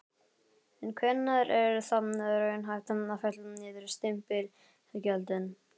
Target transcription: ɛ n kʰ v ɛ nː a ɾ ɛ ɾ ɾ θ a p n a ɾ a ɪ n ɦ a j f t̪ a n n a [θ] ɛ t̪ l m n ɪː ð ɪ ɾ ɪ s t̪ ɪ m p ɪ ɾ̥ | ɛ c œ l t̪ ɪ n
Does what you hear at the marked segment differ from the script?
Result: yes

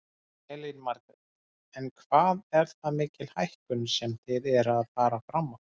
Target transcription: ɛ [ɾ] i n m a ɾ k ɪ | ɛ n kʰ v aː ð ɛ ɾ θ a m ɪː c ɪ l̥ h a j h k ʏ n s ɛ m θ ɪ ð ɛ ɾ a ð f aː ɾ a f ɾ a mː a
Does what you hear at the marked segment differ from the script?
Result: yes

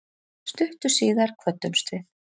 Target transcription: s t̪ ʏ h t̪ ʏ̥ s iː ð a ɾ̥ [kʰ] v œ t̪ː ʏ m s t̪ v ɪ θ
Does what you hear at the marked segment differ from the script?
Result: no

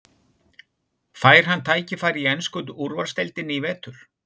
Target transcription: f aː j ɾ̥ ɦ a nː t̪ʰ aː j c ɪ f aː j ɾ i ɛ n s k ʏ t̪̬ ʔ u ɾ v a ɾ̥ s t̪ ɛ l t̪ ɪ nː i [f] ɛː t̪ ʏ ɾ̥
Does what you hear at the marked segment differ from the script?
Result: yes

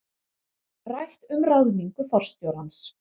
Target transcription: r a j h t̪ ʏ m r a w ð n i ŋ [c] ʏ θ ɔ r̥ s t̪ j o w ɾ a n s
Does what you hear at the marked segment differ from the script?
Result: yes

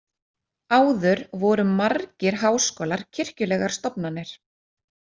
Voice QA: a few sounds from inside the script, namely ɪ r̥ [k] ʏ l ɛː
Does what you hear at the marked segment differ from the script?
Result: yes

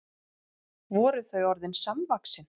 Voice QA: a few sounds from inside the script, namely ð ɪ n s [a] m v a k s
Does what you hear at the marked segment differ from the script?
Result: no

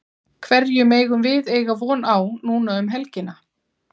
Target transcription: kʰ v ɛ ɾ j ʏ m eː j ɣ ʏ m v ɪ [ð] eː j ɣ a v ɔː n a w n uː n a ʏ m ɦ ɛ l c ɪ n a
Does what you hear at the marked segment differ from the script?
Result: no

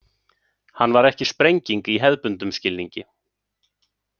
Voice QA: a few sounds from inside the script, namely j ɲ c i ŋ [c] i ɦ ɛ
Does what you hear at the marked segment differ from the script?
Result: yes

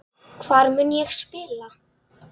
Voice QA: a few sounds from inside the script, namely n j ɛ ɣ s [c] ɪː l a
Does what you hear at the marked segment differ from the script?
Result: yes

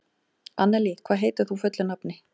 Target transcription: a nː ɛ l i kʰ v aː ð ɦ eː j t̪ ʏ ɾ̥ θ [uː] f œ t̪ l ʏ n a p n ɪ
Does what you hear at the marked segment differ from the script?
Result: yes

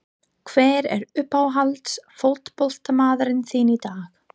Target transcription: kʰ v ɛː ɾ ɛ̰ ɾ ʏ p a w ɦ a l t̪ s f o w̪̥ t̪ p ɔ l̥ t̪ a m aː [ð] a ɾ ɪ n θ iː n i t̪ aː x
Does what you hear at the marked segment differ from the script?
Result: no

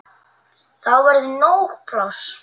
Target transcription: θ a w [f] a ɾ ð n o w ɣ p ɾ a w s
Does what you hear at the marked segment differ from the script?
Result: yes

